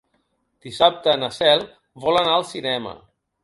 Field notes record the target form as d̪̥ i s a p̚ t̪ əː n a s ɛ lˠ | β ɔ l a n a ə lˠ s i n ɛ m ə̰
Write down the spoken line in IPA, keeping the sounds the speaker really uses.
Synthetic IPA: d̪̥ i s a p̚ t̪ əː n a s ɛ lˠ | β ɔ l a n a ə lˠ s i n ɛ m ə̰